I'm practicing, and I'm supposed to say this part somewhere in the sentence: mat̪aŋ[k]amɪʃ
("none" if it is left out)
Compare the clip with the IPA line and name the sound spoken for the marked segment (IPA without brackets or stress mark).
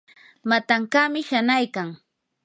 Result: k